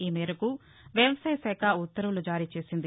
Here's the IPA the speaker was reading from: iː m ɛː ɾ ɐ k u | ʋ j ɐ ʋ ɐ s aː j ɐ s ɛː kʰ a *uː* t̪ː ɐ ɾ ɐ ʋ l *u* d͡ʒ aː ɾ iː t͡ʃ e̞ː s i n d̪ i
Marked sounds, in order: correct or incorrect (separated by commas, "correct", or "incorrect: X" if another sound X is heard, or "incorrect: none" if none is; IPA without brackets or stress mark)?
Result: incorrect: u, correct